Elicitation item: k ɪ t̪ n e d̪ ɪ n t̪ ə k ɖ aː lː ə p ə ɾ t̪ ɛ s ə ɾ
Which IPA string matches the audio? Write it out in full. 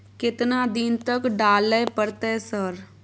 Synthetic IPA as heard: k ɪ t̪ n a d̪ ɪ n t̪ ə k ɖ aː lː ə p ə ɾ t̪ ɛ s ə ɾ